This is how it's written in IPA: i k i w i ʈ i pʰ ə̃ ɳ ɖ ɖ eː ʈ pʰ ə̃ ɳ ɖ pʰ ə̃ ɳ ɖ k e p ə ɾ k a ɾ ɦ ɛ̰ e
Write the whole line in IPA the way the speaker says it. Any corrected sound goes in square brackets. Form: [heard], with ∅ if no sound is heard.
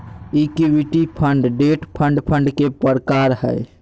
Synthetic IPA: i k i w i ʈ i pʰ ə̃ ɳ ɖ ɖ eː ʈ pʰ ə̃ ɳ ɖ pʰ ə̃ ɳ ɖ k e p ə ɾ k a ɾ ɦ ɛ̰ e